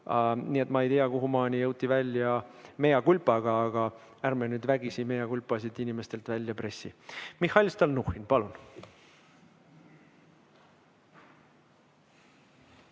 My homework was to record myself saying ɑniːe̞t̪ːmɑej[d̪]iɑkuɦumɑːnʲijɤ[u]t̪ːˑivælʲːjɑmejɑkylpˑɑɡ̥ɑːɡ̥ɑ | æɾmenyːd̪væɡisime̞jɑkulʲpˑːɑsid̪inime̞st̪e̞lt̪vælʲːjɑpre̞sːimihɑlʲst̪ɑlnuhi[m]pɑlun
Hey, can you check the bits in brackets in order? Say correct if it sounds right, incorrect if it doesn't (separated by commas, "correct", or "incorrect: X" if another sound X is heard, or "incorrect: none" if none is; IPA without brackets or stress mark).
incorrect: t̪, incorrect: w, incorrect: n